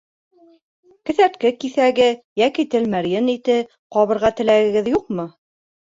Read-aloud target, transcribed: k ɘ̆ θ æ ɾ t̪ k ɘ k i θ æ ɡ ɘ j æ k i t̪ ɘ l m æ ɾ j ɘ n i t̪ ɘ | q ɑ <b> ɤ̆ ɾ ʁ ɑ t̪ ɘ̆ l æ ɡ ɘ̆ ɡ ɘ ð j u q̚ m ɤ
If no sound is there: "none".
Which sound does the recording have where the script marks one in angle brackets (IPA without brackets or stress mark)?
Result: β